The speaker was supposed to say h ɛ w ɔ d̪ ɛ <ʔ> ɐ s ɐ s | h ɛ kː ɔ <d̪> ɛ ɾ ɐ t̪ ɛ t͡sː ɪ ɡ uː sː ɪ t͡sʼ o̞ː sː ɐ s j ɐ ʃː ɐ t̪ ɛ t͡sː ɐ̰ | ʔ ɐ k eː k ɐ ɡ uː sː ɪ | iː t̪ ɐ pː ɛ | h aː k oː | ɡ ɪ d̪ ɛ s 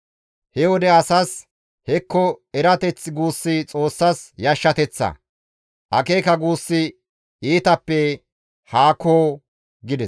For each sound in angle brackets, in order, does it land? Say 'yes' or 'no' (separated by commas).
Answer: no, no